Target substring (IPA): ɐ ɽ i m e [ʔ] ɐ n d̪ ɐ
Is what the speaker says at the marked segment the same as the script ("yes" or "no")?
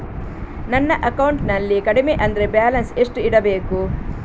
yes